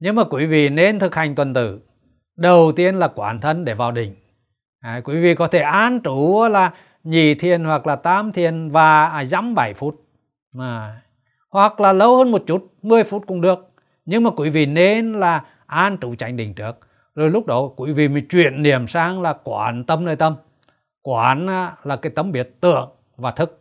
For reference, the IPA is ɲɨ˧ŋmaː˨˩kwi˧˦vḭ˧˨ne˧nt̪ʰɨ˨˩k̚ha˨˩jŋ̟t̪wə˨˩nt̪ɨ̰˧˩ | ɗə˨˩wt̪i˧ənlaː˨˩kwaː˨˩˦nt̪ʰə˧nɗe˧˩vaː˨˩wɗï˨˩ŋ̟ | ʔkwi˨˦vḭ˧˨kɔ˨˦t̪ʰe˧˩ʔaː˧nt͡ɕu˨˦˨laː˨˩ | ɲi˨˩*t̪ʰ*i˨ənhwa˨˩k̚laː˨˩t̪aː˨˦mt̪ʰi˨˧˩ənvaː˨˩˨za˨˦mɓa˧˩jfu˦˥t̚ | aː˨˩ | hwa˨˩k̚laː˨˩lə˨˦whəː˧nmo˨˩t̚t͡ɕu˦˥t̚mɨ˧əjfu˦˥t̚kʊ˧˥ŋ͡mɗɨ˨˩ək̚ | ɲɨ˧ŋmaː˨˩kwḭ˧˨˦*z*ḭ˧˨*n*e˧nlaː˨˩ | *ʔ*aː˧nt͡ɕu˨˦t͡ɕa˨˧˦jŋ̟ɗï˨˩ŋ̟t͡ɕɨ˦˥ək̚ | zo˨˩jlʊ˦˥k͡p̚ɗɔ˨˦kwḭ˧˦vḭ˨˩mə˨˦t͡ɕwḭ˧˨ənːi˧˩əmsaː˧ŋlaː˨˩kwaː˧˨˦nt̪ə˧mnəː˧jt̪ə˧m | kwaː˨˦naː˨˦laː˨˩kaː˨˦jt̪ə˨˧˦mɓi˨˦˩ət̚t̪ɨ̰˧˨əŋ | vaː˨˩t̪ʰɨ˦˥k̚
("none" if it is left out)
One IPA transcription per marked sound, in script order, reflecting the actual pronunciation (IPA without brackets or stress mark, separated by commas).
t̪ʰ, v, n, ʔ